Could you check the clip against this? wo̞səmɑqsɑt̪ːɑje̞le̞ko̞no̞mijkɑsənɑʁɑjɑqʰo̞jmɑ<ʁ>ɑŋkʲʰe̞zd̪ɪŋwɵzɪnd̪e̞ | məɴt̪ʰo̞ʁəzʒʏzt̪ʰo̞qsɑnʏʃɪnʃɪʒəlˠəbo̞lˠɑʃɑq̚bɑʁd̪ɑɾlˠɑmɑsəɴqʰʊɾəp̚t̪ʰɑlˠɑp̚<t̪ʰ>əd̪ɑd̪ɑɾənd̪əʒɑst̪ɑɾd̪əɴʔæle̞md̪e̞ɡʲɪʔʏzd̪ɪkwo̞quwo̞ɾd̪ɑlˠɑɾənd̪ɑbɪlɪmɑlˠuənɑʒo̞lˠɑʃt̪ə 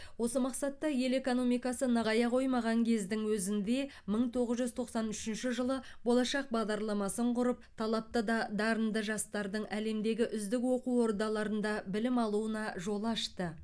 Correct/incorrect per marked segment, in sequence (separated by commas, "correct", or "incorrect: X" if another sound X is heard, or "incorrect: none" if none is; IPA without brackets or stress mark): correct, incorrect: t̪